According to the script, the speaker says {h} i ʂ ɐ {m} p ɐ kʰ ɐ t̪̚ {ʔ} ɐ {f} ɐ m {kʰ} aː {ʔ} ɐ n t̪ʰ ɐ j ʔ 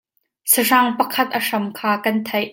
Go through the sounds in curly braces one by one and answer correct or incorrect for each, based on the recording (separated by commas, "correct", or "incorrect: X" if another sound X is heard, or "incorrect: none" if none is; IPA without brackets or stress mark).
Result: incorrect: s, incorrect: ŋ, correct, incorrect: ʂ, correct, incorrect: k